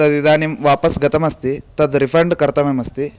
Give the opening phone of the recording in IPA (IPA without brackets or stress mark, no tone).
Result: t̪